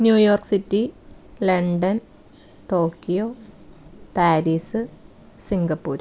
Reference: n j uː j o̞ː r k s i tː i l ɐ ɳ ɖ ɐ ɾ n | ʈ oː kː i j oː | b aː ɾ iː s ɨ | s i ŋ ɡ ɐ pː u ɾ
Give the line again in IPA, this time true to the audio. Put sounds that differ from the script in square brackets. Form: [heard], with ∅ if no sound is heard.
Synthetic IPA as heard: n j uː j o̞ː r k s i tː i l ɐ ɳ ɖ ɐ [∅] n | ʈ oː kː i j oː | [p] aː ɾ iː s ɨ | s i ŋ ɡ ɐ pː [uː] ɾ